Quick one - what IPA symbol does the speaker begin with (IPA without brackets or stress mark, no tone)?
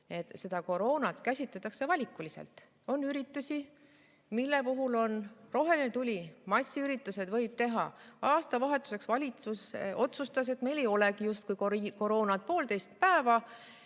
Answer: e̞